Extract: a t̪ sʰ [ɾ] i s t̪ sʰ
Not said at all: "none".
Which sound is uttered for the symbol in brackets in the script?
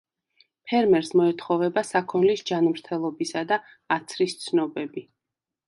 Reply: ɾ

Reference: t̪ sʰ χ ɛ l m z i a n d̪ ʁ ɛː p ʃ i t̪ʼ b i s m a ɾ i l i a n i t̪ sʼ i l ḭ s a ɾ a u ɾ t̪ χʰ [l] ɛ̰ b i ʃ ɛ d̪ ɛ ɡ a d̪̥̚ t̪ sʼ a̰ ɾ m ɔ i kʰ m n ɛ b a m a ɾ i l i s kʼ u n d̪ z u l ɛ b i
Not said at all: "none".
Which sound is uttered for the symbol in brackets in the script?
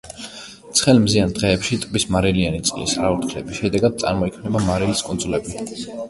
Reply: l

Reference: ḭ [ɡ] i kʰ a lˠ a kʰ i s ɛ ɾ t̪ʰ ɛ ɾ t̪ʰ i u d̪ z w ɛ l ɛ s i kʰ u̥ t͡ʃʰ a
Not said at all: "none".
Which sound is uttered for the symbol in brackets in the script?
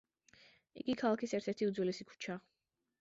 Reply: ɡ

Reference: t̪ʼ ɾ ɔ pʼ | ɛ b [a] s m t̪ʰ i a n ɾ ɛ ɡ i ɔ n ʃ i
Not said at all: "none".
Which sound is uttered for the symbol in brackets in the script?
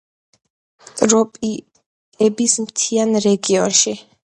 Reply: i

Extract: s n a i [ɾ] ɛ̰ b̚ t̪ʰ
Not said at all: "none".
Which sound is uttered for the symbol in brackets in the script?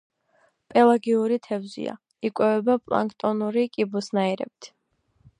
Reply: ɾ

